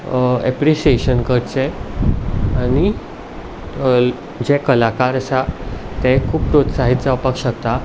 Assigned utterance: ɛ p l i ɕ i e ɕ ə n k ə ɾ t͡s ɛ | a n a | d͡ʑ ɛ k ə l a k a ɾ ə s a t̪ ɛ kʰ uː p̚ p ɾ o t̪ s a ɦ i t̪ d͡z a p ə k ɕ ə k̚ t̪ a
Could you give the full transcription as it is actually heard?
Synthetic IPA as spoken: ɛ p ɾ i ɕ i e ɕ ə n k ə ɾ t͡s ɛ | a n i | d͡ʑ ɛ k ə l a k a ɾ ə s a t̪ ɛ kʰ uː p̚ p ɾ o t̪ s a ɦ i t̪ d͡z a p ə k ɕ ə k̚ t̪ a